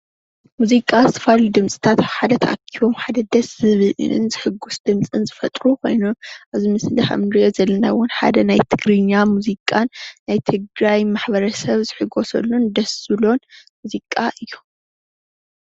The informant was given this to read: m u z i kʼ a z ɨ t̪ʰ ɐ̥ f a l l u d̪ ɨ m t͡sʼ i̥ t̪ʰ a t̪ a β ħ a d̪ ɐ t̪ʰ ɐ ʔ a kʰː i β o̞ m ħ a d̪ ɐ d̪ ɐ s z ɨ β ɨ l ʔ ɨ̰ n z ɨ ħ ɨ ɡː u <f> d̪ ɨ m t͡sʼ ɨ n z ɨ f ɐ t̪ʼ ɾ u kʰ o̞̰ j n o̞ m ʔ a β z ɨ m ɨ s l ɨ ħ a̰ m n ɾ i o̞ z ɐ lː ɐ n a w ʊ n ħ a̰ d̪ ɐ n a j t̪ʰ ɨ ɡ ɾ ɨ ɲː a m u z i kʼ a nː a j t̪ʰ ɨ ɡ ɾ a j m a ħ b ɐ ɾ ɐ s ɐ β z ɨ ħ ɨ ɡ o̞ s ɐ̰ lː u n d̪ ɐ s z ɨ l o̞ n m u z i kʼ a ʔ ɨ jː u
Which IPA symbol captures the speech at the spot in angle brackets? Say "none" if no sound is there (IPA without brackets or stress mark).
s